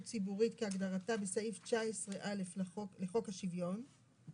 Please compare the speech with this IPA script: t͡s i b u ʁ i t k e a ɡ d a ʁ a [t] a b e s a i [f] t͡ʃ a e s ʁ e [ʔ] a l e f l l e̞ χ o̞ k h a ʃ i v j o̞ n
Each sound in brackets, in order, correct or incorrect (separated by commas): correct, correct, correct